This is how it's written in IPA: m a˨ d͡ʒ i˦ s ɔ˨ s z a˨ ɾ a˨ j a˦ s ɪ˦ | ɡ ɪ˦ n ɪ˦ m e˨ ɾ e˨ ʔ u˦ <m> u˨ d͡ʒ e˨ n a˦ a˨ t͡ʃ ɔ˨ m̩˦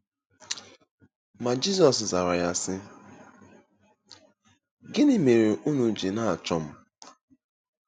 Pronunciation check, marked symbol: incorrect: n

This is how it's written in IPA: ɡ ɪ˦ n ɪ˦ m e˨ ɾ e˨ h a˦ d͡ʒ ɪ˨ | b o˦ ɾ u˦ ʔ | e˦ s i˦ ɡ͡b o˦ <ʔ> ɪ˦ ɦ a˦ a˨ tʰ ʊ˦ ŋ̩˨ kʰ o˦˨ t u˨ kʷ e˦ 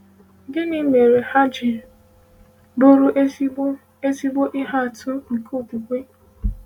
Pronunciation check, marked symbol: correct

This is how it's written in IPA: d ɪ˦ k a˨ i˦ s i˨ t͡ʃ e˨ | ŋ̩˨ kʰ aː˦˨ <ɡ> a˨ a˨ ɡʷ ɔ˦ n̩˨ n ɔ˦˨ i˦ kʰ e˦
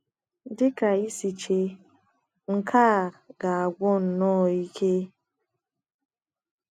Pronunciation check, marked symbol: correct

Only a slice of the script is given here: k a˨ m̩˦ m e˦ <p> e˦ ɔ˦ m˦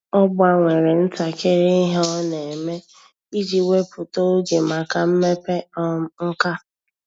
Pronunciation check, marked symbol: correct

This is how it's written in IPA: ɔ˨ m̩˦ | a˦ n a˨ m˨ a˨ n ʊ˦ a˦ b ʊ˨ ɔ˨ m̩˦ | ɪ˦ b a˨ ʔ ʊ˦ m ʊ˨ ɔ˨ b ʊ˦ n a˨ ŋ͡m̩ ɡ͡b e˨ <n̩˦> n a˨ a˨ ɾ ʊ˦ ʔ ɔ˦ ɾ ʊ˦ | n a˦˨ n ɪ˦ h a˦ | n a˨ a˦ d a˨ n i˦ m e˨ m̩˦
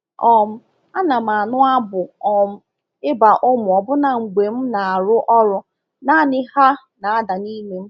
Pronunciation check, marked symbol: incorrect: m̩˦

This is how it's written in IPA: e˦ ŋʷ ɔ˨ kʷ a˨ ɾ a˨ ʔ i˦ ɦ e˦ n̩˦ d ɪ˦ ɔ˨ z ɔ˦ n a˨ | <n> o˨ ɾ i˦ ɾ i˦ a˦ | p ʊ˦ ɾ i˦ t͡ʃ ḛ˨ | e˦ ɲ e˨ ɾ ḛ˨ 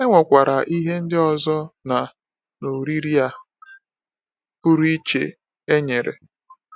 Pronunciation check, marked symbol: correct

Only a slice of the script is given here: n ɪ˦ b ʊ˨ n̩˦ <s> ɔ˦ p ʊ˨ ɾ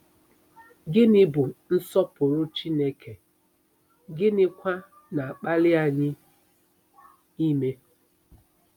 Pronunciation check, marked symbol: correct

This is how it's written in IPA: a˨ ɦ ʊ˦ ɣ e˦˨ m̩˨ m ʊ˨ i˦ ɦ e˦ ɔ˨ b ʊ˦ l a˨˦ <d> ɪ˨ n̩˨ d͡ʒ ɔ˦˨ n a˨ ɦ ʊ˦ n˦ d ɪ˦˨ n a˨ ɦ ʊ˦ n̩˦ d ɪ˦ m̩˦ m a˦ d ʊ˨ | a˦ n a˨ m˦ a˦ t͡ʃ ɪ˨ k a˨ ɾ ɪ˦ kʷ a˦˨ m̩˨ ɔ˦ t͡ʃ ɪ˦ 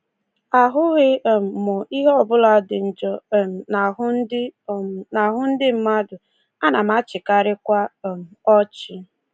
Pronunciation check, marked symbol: correct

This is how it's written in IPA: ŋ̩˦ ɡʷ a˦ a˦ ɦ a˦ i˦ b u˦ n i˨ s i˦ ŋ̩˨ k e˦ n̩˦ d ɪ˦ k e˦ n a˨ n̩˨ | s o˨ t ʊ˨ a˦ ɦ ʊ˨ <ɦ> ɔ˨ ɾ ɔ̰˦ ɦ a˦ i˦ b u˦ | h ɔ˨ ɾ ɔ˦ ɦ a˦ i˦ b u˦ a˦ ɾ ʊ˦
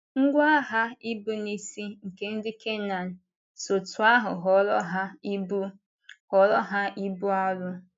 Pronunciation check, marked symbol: correct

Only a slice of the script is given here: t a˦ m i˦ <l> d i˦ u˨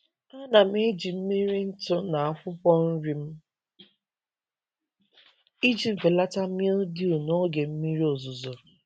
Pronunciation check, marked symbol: correct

